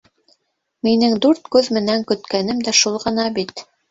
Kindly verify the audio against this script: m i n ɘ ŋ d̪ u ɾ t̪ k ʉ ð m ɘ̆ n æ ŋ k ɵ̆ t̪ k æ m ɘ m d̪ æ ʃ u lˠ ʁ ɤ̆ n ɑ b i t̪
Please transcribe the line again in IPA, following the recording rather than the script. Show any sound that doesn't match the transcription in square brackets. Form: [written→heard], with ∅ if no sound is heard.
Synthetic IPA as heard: m i n ɘ ŋ d̪ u ɾ t̪ k ʉ ð m ɘ̆ n æ ŋ k ɵ̆ t̪ k æ [m→n] ɘ m d̪ æ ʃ u lˠ ʁ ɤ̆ n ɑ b i t̪